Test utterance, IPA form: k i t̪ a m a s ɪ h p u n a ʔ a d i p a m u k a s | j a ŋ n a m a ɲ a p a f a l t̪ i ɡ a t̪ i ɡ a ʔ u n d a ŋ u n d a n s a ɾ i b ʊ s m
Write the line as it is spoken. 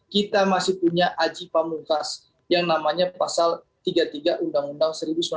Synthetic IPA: k i t̪ a m a s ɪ h p u ɲ a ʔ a d͡ʒ i p a m u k a s | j a ŋ n a m a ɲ a p a s a l t̪ i ɡ a t̪ i ɡ a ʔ u n d a ŋ u n d a ŋ s ə ɾ i b u s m